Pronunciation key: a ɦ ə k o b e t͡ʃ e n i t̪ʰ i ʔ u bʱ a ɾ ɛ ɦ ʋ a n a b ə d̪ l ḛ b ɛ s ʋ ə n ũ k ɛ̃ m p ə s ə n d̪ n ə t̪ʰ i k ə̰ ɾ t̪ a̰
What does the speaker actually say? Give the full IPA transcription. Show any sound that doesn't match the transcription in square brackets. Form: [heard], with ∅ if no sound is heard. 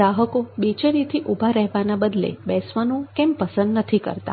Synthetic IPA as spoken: a ɦ ə k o b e t͡ʃ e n i t̪ʰ i ʔ u bʱ a ɾ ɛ ɦ ʋ a n a b ə d̪ l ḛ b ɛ s ʋ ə n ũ k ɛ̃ m p ə s ə n d̪ n ə t̪ʰ i k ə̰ ɾ t̪ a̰